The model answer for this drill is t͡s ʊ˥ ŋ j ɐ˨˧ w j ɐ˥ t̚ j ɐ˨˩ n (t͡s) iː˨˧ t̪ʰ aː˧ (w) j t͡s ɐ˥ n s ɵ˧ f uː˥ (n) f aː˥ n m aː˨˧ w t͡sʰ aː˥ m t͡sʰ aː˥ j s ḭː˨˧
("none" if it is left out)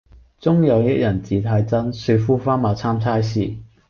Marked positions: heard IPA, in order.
t͡s, none, none

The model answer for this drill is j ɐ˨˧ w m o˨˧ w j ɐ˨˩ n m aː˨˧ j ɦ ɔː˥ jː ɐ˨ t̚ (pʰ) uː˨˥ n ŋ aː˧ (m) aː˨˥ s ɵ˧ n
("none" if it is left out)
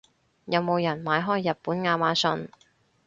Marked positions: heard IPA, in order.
p, m

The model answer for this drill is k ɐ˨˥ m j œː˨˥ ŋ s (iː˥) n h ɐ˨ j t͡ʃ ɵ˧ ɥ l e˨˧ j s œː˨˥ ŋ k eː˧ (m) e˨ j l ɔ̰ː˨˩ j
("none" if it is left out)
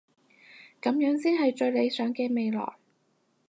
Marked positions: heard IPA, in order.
iː˥, m

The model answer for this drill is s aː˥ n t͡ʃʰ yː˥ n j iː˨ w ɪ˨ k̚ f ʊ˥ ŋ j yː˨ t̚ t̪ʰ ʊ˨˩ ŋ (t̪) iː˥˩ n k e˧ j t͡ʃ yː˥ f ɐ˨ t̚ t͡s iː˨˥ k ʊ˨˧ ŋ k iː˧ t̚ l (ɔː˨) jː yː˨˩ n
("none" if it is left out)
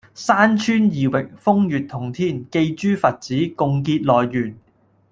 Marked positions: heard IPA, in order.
t̪ʰ, ɔː˨

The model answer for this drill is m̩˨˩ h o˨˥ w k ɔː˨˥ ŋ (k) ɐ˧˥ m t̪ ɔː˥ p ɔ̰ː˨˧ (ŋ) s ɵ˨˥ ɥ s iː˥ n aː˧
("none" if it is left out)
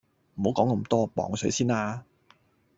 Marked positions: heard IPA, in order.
k, ŋ

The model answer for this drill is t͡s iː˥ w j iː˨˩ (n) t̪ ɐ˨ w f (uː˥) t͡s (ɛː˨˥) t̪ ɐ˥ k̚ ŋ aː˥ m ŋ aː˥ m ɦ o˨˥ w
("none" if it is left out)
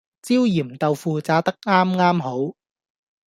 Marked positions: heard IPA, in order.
m, uː˨, aː˨˥

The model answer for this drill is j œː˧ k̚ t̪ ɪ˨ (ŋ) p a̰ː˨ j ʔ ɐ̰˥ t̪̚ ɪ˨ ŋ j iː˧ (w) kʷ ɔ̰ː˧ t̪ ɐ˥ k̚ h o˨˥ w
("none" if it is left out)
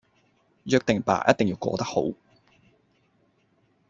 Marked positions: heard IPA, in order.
ŋ, w

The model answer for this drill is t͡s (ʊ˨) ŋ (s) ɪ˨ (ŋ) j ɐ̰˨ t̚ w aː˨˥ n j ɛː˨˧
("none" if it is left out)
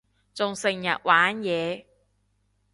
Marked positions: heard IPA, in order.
ʊ˨, s, ŋ

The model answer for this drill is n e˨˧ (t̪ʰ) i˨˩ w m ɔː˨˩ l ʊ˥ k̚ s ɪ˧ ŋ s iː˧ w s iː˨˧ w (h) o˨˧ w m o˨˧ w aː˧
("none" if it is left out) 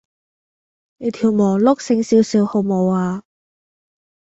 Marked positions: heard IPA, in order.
t̪ʰ, h

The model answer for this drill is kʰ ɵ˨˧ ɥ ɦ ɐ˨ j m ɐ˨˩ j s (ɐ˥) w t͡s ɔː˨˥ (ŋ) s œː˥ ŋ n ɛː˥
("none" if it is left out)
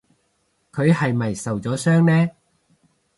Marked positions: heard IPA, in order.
ɐ˨, none

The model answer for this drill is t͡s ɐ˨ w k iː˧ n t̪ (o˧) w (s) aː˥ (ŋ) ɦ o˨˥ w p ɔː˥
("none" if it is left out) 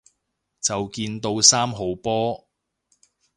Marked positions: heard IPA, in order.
o˧, s, m

